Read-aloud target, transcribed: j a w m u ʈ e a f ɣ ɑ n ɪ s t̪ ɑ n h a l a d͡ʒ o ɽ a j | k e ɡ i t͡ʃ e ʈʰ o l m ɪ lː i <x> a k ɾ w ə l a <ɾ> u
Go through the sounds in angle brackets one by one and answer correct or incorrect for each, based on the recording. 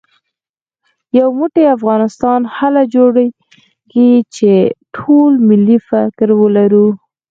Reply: incorrect: f, correct

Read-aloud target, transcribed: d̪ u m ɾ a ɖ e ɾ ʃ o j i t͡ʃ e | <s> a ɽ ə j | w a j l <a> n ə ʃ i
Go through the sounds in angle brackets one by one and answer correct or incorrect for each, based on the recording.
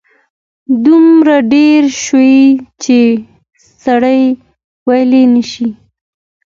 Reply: correct, incorrect: e

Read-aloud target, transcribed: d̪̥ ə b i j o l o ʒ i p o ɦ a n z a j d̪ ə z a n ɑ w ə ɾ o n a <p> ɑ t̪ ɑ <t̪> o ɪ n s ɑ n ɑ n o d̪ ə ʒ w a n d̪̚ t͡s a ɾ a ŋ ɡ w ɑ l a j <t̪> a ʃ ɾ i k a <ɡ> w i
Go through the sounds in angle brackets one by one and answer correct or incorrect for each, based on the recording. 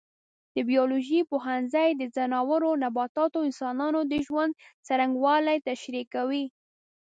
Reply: incorrect: b, correct, correct, incorrect: none

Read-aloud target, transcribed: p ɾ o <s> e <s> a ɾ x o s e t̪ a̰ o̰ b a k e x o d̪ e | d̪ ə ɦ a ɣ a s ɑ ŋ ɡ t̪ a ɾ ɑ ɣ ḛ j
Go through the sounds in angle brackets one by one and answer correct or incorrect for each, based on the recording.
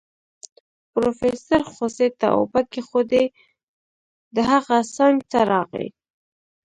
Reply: incorrect: f, correct

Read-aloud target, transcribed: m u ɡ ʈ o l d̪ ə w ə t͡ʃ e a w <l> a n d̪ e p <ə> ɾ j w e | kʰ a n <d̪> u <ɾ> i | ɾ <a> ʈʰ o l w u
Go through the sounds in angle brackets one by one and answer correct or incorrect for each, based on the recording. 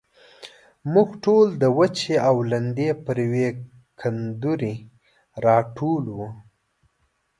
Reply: correct, correct, correct, correct, incorrect: ɑ

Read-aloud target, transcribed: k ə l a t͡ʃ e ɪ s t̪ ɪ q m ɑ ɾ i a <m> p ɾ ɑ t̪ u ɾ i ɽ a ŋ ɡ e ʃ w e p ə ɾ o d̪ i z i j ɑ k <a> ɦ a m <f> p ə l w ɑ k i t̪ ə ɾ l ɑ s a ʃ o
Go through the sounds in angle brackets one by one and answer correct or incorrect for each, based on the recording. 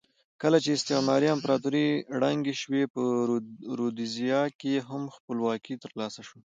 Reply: correct, incorrect: e, incorrect: x

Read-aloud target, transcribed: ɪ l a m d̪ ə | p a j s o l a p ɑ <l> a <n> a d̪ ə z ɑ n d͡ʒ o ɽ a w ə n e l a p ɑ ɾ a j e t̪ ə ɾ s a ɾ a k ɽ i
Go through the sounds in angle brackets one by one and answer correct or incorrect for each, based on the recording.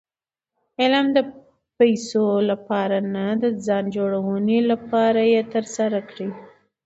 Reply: incorrect: ɾ, correct

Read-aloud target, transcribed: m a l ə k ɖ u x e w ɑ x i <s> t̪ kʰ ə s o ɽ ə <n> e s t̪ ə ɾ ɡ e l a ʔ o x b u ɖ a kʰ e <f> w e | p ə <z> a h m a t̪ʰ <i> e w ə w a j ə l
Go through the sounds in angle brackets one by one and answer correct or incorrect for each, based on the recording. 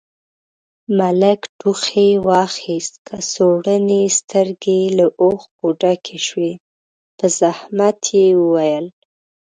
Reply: correct, correct, incorrect: ʃ, correct, incorrect: j

